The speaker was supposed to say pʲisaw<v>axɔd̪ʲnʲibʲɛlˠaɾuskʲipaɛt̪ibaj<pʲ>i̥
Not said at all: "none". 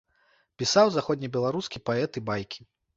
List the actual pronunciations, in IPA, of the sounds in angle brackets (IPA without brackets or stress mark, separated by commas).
z, kʲ